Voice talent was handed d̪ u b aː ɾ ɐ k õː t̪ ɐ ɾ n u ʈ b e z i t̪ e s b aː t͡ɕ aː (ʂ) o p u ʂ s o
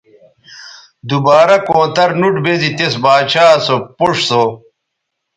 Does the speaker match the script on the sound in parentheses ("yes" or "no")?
no